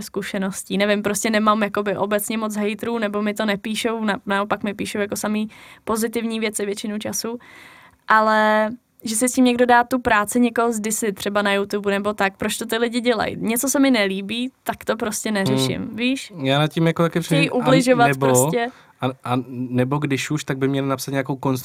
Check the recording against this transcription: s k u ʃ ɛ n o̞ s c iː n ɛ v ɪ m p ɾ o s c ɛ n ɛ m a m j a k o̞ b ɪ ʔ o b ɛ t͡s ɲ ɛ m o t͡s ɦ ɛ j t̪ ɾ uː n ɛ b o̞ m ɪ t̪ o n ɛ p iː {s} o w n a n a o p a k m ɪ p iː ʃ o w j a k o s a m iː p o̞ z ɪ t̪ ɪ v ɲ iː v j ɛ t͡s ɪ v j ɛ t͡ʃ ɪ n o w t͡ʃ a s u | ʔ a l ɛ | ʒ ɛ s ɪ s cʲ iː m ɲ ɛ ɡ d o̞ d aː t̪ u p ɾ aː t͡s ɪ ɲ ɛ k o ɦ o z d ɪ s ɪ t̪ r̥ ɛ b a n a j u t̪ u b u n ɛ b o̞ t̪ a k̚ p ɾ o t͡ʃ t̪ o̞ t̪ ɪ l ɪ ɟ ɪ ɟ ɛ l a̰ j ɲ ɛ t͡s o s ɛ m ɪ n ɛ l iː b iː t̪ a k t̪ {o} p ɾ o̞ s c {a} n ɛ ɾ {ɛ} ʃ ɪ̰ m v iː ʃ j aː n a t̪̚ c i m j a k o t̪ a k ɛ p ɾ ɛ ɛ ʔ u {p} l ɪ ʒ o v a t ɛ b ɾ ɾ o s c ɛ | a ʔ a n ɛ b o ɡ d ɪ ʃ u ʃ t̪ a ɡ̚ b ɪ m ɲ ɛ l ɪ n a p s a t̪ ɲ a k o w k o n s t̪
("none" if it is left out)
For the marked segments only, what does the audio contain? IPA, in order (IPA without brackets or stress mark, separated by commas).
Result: ʃ, o, ɛ, ɛ, b